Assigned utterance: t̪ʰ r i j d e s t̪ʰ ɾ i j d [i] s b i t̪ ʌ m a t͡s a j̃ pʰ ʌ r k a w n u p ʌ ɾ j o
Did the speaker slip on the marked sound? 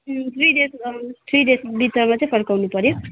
yes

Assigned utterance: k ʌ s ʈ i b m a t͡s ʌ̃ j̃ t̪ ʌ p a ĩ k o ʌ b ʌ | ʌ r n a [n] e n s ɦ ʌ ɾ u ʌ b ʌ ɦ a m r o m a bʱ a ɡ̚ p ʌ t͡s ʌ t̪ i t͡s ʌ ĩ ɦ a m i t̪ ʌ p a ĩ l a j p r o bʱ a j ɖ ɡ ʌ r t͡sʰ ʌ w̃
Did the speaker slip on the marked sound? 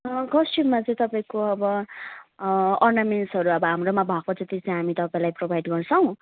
yes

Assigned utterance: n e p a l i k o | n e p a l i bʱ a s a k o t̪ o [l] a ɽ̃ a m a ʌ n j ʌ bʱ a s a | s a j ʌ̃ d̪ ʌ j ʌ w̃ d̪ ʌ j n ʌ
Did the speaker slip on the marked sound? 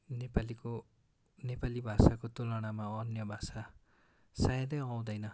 no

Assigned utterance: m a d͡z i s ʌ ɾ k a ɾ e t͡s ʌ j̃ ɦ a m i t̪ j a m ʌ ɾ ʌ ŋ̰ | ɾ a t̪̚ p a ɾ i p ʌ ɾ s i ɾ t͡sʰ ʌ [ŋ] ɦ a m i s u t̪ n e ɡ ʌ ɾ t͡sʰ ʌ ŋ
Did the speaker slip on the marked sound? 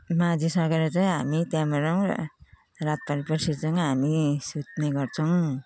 no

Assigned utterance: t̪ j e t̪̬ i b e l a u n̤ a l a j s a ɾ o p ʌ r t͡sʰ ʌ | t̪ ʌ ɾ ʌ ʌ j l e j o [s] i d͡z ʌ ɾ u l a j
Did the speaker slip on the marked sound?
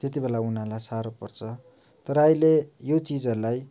yes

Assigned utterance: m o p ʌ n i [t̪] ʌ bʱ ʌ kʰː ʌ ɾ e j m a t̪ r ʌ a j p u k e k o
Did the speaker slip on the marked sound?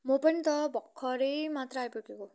no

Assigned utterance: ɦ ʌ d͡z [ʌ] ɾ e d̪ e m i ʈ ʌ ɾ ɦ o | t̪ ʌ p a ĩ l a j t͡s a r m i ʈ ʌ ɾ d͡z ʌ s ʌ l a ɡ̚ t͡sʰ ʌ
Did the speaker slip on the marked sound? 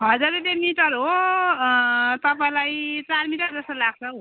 yes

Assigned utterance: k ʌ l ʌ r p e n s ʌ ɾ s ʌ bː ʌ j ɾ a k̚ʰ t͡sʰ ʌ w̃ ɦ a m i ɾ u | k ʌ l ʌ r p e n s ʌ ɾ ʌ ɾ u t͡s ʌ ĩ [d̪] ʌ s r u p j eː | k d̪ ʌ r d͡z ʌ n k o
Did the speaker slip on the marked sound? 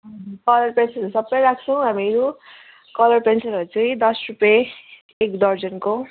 no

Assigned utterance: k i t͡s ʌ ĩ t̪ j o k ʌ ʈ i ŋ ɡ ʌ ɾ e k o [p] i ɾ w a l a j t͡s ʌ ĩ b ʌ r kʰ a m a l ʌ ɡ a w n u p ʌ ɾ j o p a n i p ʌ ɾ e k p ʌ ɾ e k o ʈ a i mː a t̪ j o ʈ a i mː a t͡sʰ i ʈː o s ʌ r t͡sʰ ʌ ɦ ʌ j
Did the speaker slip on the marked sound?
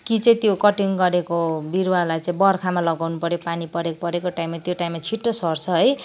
yes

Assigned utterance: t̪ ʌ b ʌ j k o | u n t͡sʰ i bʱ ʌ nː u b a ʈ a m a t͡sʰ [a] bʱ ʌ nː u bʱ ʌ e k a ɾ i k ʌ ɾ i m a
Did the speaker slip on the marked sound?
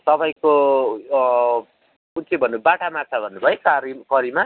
no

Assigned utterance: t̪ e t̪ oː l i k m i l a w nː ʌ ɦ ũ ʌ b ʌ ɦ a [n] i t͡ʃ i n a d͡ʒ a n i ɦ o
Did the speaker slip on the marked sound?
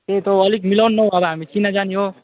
yes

